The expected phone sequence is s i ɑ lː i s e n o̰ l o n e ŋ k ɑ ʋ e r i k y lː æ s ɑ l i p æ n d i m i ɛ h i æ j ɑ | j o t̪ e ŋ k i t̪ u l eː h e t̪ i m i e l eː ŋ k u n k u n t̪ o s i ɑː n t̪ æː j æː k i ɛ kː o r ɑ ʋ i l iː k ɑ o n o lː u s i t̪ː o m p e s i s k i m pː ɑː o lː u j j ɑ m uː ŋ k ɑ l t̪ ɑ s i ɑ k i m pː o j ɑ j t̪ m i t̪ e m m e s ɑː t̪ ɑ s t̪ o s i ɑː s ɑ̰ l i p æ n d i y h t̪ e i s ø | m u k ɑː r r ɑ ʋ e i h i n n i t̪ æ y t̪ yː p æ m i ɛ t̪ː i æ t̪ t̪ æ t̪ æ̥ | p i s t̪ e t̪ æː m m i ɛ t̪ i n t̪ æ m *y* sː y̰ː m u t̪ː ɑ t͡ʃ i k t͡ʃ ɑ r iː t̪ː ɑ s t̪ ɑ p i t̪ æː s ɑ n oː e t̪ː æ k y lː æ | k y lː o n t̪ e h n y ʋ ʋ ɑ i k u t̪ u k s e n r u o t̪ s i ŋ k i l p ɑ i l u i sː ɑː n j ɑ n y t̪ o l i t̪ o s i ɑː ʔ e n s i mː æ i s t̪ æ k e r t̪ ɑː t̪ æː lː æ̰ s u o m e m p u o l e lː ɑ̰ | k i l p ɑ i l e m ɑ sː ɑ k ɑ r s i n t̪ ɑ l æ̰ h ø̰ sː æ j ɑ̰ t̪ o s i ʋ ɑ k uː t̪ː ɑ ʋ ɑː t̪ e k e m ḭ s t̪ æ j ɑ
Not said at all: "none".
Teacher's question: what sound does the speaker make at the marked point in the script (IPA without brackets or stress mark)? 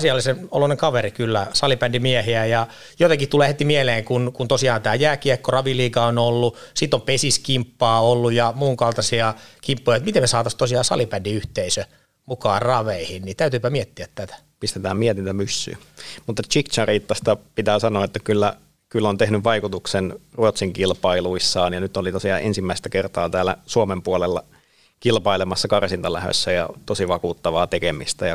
y